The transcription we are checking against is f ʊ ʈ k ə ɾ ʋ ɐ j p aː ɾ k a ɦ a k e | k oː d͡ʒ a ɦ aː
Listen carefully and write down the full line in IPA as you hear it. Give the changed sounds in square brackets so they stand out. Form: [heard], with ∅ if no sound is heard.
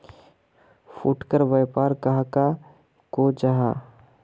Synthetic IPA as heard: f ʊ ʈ k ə ɾ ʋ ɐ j p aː ɾ k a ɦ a k [a] | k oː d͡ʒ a ɦ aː